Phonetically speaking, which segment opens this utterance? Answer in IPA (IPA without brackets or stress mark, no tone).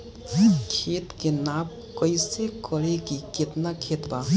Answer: kʰ